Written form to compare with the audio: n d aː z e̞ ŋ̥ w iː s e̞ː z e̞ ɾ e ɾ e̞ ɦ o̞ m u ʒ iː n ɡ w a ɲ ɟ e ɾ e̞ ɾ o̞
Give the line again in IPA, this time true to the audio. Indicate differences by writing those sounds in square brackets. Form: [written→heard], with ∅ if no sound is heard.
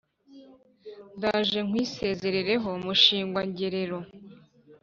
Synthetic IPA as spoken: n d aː [z→ʒ] e̞ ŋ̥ w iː s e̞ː z e̞ ɾ e ɾ e̞ ɦ o̞ m u [ʒ→ʃ] iː [n→ŋ] ɡ w a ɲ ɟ e ɾ e̞ ɾ o̞